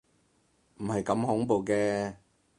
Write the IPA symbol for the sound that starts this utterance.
m̩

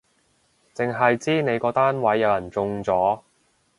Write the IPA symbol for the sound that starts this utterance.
t͡s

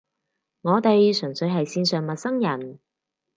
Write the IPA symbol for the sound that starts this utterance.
ŋ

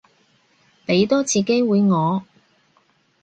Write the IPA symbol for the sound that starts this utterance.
p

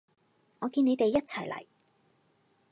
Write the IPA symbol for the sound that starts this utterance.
ŋ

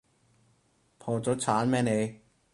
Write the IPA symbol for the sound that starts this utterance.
pʰ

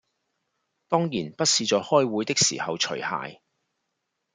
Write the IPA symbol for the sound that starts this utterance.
t̪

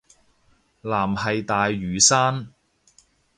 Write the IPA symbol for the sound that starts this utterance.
l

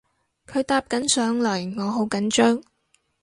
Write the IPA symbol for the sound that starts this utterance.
kʰ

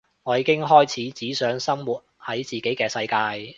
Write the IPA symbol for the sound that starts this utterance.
ŋ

